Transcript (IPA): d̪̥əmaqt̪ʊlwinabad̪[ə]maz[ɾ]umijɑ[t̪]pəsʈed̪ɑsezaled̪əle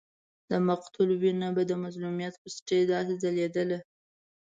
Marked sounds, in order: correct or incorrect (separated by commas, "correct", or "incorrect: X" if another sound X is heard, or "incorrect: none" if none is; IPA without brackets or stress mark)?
correct, incorrect: l, correct